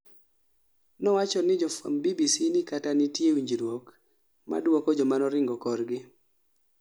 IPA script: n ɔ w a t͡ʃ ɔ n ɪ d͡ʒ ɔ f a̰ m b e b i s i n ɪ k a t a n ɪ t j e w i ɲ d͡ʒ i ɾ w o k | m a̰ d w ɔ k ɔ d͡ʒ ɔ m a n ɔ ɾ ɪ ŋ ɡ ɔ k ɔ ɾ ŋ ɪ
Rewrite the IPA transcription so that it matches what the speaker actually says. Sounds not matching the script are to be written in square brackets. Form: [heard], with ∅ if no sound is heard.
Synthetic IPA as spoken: n ɔ w a t͡ʃ ɔ n ɪ d͡ʒ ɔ f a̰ m b [i] b i s i n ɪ k a t a n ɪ t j e w i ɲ d͡ʒ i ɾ w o k | m a̰ d w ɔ k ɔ d͡ʒ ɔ m a n ɔ ɾ ɪ ŋ ɡ ɔ k ɔ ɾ [ɡ] ɪ

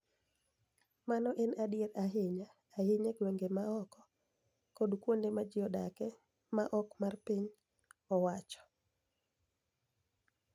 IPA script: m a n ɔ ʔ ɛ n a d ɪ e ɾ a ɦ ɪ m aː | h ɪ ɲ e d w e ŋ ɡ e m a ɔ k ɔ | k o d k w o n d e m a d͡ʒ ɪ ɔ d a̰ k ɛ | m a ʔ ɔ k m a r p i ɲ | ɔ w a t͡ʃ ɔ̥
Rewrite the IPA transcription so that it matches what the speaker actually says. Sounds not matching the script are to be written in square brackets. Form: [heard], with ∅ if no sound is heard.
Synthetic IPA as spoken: m a n ɔ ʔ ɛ n a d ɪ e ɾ a ɦ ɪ [ɲ] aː | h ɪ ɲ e [ɡ] w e ŋ ɡ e m a ɔ k ɔ | k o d k w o n d e m a d͡ʒ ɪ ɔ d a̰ k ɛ | m a ʔ ɔ k m a r p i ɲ | ɔ w a t͡ʃ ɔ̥

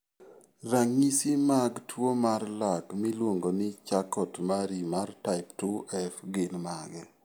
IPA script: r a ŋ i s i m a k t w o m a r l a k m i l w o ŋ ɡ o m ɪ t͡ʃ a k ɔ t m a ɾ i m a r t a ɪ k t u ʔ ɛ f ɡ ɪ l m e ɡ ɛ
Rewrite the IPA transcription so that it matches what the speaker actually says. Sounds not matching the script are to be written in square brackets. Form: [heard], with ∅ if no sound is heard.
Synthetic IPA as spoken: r a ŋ i s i m a [ɡ] t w o m a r l a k m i l w o ŋ ɡ o [n] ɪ t͡ʃ a k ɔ t m a ɾ i m a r t a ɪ [p] t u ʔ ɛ f ɡ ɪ l m [a] ɡ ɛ

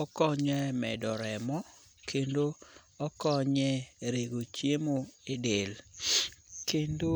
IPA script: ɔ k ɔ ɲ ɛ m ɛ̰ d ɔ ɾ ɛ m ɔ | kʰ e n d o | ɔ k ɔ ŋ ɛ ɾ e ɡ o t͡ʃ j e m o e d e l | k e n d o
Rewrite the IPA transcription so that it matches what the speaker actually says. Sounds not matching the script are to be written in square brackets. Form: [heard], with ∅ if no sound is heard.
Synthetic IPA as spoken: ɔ k ɔ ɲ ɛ m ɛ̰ d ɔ ɾ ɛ m ɔ | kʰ e n d o | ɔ k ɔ [ɲ] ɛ ɾ e ɡ o t͡ʃ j e m o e d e l | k e n d o

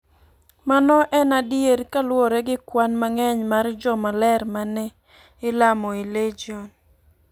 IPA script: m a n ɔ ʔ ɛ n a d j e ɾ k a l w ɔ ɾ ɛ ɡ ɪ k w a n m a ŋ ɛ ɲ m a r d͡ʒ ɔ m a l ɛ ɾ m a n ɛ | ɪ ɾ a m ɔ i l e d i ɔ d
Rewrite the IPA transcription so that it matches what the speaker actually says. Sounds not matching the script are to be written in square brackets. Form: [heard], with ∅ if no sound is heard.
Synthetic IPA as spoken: m a n ɔ ʔ ɛ n a d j e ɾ k a l w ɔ ɾ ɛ ɡ ɪ k w a n m a ŋ ɛ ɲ m a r d͡ʒ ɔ m a l ɛ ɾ m a n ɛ | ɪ [l] a m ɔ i l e [d͡ʒ] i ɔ [n]

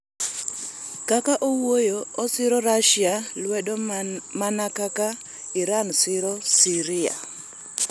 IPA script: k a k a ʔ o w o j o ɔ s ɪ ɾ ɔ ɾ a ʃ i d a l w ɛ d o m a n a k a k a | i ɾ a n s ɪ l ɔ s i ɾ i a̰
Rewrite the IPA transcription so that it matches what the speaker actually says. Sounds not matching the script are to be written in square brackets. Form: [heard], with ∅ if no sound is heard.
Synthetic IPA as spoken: k a k a ʔ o w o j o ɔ s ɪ ɾ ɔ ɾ a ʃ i [∅] a l w ɛ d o m a n a k a k a | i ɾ a n s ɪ [ɾ] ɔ s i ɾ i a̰

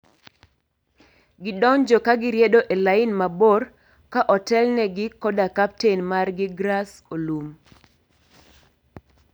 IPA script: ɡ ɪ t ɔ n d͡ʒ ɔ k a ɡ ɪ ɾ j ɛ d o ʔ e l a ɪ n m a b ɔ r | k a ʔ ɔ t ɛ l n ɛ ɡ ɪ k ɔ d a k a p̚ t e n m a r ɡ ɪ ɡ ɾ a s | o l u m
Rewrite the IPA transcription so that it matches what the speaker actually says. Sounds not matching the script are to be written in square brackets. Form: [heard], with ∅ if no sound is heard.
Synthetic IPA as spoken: ɡ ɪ [d] ɔ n d͡ʒ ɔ k a ɡ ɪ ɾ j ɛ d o ʔ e l a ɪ n m a b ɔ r | k a ʔ ɔ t ɛ l n ɛ ɡ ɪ k ɔ d a k a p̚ t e n m a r ɡ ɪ ɡ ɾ a s | o l u m

